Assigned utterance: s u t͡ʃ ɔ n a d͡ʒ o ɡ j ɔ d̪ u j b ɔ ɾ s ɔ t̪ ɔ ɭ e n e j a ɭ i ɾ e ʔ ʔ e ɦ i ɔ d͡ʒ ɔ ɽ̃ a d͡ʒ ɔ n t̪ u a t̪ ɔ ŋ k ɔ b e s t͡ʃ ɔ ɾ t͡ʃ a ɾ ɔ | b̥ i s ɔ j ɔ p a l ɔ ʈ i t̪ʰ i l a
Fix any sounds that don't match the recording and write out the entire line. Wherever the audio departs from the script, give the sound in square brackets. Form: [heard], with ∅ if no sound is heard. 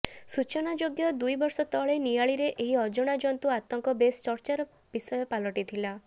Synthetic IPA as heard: s u t͡ʃ ɔ n a d͡ʒ o ɡ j ɔ d̪ u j b ɔ ɾ s ɔ t̪ ɔ ɭ e n [i] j a ɭ i ɾ e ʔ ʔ e ɦ i ɔ d͡ʒ ɔ ɽ̃ a d͡ʒ ɔ n t̪ u a t̪ ɔ ŋ k ɔ b e s t͡ʃ ɔ ɾ t͡ʃ a ɾ ɔ | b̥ i s ɔ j ɔ p a l ɔ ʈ i t̪ʰ i l a